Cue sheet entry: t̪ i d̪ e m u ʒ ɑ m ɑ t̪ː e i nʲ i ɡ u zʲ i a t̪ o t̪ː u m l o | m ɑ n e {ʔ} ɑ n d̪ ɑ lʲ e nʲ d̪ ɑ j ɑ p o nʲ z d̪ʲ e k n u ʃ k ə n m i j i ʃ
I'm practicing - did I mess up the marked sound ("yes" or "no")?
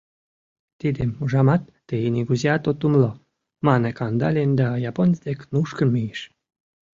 yes